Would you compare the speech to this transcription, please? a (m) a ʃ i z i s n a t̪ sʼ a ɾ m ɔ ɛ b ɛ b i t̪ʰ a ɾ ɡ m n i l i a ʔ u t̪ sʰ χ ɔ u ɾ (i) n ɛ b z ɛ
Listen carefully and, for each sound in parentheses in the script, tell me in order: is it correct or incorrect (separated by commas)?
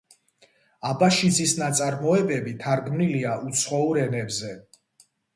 incorrect, incorrect